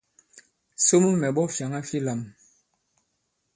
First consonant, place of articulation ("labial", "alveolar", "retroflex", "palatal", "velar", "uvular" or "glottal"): alveolar